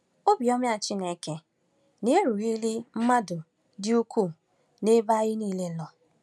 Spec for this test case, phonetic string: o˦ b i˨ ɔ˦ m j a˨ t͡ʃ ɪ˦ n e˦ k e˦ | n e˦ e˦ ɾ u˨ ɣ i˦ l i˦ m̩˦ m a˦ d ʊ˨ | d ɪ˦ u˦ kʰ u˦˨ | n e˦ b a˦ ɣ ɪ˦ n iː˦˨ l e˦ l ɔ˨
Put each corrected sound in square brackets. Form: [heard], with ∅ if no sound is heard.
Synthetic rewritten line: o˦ b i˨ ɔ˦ m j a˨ t͡ʃ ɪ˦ n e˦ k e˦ | n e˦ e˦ ɾ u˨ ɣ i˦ l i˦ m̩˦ m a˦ d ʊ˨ | d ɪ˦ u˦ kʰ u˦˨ | n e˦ b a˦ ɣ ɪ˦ n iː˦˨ l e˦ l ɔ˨